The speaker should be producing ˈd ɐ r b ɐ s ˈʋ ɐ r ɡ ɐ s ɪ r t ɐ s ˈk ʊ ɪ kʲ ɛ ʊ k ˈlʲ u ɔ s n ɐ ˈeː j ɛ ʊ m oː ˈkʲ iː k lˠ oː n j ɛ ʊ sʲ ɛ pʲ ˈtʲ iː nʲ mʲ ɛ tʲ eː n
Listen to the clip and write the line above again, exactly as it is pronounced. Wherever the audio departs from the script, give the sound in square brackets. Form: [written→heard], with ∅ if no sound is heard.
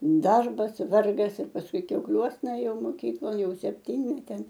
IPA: ˈd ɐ r b ɐ s ˈʋ ɐ r ɡ ɐ s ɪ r [t→p] ɐ s ˈk ʊ ɪ kʲ ɛ ʊ k ˈlʲ u ɔ s n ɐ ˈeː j ɛ ʊ m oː ˈkʲ iː k lˠ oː n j ɛ ʊ sʲ ɛ pʲ ˈtʲ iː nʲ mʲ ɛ tʲ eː n